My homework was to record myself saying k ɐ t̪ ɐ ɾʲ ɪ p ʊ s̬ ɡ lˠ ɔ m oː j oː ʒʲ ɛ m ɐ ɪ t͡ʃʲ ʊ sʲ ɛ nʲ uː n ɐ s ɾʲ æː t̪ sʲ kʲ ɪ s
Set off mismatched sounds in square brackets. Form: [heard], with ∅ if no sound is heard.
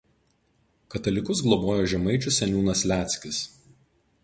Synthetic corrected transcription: k ɐ t̪ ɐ [lʲ] ɪ [k] ʊ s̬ ɡ lˠ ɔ [b] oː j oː ʒʲ ɛ m ɐ ɪ t͡ʃʲ ʊ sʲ ɛ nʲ uː n ɐ s [lʲ] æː t̪ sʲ kʲ ɪ s

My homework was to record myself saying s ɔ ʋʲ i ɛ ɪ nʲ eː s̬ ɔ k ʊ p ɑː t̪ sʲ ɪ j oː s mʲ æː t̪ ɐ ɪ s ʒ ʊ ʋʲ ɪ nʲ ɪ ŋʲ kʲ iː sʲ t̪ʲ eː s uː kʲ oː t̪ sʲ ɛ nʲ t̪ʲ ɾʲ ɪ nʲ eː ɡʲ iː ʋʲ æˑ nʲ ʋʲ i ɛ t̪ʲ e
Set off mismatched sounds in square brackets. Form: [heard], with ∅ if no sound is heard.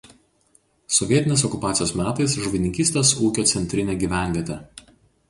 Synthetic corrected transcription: s ɔ ʋʲ i ɛ ɪ nʲ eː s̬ ɔ k ʊ p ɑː t̪ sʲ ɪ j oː s mʲ æː t̪ ɐ ɪ s ʒ ʊ ʋʲ ɪ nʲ ɪ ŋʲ kʲ iː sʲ t̪ʲ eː s uː kʲ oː t̪ sʲ ɛ nʲ t̪ʲ ɾʲ ɪ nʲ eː ɡʲ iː ʋʲ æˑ nʲ ʋʲ i ɛ t̪ʲ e

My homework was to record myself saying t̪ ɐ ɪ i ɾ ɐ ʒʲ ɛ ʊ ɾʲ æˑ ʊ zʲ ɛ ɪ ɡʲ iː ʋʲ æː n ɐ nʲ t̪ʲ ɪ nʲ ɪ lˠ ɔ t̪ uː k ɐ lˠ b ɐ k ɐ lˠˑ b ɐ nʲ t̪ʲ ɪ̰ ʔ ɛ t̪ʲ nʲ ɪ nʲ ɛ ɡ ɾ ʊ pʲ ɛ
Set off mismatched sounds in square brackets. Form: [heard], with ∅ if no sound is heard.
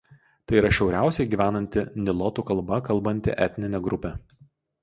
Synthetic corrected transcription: t̪ ɐ ɪ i ɾ ɐ [ʃʲ] ɛ ʊ ɾʲ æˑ ʊ [sʲ] ɛ ɪ ɡʲ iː ʋʲ æː n ɐ nʲ t̪ʲ ɪ nʲ ɪ lˠ ɔ t̪ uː k ɐ lˠ b ɐ k ɐ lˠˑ b ɐ nʲ t̪ʲ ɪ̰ ʔ ɛ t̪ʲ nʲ ɪ nʲ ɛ ɡ ɾ ʊ pʲ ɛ

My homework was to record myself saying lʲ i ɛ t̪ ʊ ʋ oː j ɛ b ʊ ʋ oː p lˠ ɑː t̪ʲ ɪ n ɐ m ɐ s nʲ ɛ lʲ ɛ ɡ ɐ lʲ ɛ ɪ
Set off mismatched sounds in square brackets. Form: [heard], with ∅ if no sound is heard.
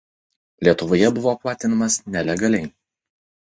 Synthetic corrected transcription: lʲ i ɛ t̪ ʊ ʋ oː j ɛ b ʊ ʋ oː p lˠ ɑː t̪ʲ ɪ n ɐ m ɐ s nʲ ɛ lʲ ɛ ɡ ɐ lʲ ɛ ɪ

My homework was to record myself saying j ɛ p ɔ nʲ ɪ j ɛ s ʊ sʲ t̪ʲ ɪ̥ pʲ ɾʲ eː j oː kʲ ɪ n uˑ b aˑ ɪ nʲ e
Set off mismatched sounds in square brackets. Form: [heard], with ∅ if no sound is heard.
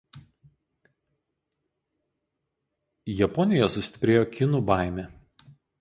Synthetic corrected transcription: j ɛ p ɔ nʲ ɪ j ɛ s ʊ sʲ t̪ʲ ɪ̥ pʲ ɾʲ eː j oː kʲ ɪ n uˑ b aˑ ɪ [mʲ] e

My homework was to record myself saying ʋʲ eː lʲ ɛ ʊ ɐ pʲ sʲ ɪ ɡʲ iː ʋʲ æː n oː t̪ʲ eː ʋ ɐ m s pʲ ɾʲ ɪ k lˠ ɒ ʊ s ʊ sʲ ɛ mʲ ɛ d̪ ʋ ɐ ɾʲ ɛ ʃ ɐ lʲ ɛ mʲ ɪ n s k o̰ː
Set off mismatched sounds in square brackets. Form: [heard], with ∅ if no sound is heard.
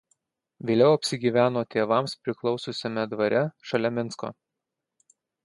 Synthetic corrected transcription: ʋʲ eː lʲ ɛ ʊ ɐ pʲ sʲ ɪ ɡʲ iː ʋʲ æː n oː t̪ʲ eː ʋ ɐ m s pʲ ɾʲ ɪ k lˠ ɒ ʊ s ʊ sʲ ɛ mʲ ɛ d̪ ʋ ɐ ɾʲ ɛ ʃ ɐ lʲ ɛ mʲ ɪ n s k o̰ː

